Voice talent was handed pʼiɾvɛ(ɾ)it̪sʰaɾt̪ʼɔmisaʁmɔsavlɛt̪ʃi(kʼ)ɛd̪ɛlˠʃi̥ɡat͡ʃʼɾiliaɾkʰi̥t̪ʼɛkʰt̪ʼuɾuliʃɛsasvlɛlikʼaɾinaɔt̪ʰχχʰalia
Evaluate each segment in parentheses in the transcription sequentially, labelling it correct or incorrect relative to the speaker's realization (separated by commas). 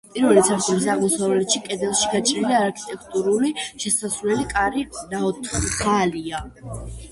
incorrect, correct